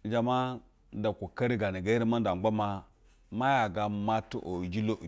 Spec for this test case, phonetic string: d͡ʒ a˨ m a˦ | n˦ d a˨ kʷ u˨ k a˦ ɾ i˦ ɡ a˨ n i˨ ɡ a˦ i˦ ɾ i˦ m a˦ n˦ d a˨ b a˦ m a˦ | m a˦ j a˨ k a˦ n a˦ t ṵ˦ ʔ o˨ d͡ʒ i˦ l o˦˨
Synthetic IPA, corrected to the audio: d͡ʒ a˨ m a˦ | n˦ d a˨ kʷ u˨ k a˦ ɾ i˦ ɡ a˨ n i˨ ɡ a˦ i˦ ɾ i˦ m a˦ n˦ d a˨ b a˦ m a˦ | m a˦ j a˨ ɡ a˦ m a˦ t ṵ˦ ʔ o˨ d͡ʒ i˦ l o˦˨